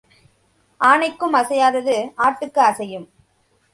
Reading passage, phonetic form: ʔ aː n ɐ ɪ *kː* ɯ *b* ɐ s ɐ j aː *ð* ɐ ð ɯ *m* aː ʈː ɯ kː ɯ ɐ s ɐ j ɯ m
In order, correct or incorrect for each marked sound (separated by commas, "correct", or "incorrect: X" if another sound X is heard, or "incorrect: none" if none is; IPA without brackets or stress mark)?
correct, incorrect: m, correct, incorrect: none